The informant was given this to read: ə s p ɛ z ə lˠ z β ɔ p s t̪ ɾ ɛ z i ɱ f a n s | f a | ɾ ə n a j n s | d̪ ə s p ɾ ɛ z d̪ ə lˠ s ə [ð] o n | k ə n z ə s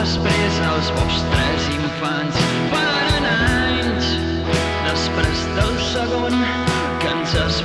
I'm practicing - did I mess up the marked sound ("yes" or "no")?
yes